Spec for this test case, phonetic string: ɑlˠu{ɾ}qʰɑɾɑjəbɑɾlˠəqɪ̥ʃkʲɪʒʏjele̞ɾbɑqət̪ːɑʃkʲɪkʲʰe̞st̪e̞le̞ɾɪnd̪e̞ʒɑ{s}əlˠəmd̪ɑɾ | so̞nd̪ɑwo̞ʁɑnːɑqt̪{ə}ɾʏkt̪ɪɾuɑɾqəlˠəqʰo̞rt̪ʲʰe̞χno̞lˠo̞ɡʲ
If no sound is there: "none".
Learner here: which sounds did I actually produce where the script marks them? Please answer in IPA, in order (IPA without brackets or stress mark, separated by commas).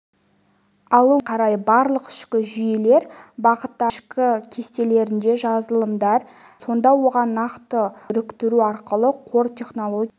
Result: none, z, ə